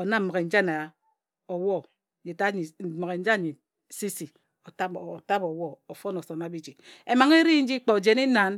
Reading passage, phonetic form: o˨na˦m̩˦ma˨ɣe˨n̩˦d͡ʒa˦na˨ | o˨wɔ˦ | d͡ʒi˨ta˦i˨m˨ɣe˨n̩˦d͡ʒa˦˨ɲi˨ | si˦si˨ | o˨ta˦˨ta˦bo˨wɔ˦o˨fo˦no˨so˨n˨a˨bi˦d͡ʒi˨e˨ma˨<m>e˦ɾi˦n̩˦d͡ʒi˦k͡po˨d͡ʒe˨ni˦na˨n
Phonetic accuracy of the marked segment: incorrect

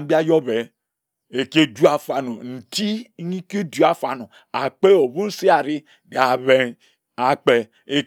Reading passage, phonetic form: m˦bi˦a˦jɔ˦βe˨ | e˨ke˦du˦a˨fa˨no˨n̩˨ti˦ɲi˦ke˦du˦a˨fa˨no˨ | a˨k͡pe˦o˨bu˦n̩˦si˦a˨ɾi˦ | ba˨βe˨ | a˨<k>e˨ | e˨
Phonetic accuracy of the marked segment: incorrect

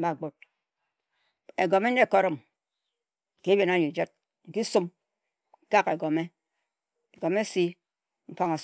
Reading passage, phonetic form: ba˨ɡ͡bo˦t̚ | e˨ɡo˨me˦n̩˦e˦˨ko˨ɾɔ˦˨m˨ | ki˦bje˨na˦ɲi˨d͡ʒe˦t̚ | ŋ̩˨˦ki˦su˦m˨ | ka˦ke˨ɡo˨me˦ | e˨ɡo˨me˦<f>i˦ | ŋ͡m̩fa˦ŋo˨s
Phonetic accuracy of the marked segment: incorrect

